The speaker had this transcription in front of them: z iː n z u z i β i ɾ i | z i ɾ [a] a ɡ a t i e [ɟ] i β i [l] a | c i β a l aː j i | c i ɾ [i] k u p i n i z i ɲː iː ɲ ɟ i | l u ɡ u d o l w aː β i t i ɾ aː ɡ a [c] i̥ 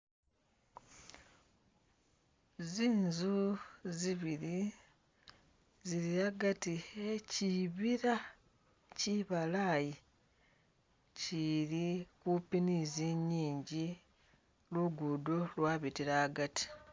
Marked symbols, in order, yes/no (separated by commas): no, no, no, yes, no